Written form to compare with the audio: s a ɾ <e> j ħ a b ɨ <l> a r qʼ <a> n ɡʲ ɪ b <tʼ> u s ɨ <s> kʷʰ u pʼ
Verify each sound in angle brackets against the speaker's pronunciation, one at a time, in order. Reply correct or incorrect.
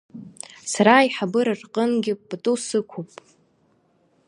incorrect, incorrect, incorrect, correct, incorrect

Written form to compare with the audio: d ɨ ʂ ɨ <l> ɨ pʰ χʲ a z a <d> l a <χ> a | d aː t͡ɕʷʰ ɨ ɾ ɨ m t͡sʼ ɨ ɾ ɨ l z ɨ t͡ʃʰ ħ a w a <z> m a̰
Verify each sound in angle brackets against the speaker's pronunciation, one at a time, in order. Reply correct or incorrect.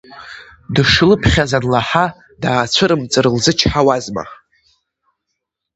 correct, correct, incorrect, correct

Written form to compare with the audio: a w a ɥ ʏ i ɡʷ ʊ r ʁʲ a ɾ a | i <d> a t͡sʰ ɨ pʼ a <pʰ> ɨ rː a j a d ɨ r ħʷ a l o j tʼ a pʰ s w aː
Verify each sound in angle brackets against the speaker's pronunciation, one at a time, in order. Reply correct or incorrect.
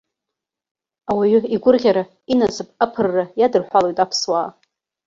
incorrect, correct

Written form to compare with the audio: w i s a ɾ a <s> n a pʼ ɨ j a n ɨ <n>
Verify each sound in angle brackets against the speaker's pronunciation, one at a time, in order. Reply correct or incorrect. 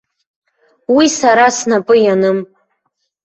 correct, incorrect

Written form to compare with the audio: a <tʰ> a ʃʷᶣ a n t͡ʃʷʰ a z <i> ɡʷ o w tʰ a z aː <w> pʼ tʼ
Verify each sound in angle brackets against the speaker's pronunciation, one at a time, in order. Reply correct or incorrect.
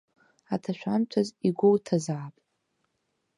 correct, correct, incorrect

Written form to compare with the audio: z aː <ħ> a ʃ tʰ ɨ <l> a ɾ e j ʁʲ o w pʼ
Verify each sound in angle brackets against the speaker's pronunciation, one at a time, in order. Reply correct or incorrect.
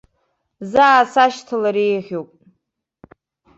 incorrect, correct

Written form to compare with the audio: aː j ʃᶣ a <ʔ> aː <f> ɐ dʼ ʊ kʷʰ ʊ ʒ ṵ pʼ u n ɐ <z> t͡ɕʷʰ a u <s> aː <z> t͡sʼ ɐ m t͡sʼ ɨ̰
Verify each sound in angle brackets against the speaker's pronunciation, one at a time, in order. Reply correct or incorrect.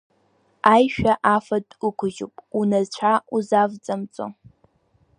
correct, correct, correct, incorrect, incorrect

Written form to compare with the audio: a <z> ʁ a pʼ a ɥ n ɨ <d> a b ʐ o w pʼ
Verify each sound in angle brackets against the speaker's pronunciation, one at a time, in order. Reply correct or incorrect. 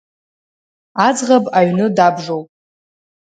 incorrect, correct

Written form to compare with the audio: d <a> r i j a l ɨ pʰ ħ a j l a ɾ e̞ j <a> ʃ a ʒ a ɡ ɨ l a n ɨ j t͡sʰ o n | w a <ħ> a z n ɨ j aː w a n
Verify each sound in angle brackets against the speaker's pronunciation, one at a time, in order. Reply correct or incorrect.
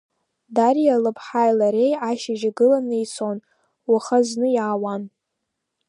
correct, correct, incorrect

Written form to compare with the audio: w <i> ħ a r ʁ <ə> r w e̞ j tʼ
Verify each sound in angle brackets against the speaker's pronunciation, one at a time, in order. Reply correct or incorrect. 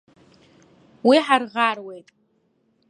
correct, incorrect

